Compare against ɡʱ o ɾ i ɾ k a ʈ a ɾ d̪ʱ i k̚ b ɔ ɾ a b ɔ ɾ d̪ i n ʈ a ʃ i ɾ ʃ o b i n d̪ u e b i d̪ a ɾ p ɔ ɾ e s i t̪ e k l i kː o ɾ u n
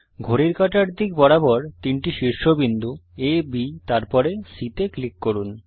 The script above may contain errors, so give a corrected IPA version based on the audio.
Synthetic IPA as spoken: ɡʱ o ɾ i ɾ k a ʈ a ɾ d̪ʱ i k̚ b ɔ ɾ a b ɔ ɾ t̪ i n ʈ i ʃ i ɾ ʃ o b i n d̪ u e b i t̪ a ɾ p ɔ ɾ e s i t̪ e k l i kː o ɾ u n